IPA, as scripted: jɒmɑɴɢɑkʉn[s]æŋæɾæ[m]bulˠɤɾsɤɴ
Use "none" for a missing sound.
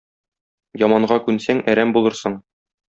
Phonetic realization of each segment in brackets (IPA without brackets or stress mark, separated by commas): s, m